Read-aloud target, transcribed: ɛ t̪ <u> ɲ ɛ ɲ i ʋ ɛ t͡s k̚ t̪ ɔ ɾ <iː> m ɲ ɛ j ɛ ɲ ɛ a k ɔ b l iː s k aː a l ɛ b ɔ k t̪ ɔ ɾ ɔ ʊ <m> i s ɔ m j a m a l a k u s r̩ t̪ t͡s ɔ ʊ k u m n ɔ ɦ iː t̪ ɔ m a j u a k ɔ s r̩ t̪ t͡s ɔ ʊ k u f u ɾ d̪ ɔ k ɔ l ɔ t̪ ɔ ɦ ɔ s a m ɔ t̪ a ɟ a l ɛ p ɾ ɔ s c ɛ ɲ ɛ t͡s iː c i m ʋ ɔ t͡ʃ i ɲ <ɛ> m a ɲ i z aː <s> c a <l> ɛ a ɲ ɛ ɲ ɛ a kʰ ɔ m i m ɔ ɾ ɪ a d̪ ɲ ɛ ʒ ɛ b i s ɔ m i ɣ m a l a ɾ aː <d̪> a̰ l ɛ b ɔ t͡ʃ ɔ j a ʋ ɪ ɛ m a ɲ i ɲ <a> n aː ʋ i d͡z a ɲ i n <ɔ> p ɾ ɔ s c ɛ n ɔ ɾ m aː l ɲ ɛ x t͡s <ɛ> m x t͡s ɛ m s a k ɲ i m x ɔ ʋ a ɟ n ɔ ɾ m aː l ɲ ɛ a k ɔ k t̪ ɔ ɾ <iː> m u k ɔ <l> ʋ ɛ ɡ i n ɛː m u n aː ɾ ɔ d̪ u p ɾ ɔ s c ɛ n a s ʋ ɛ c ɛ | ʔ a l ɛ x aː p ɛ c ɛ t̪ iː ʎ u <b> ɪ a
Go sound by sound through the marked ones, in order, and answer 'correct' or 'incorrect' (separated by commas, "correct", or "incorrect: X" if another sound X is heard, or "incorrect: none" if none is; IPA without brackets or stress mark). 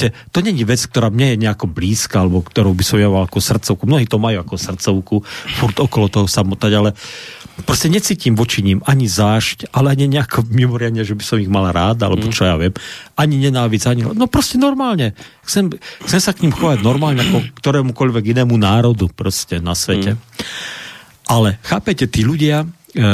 incorrect: ɔ, incorrect: aː, incorrect: b, incorrect: i, incorrect: ʃ, correct, correct, incorrect: ɛ, correct, correct, incorrect: ɛː, incorrect: ʎ, incorrect: ɟ